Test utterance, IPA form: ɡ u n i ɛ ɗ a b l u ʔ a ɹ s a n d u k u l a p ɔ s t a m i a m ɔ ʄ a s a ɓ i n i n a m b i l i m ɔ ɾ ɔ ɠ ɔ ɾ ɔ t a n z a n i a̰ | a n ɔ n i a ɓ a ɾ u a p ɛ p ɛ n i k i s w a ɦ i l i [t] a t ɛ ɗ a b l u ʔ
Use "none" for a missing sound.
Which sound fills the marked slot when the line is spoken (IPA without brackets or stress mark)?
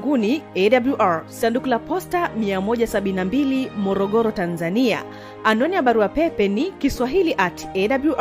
ʔ